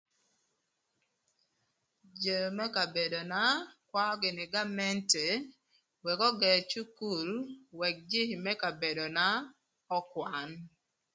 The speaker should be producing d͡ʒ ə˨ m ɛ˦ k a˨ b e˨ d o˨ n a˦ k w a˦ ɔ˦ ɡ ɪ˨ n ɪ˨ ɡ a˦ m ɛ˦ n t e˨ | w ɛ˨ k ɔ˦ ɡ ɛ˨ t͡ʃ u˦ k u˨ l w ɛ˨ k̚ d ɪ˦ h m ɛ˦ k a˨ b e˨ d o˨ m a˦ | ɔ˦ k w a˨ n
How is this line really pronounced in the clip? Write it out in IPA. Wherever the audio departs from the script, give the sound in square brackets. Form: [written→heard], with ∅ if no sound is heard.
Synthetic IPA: d͡ʒ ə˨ m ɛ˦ k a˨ b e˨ d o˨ n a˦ k w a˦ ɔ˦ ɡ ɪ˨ n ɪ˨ ɡ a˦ m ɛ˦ n t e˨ | w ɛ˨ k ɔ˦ ɡ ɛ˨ t͡ʃ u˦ k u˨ l w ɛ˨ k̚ [d→d͡ʒ] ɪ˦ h m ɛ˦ k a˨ b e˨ d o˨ [m→n] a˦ | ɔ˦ k w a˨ n